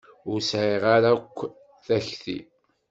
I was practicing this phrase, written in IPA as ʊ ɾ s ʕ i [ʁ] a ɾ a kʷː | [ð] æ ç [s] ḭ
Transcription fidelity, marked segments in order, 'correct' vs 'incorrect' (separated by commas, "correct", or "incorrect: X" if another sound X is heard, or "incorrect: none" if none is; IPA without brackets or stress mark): correct, incorrect: θ, incorrect: θ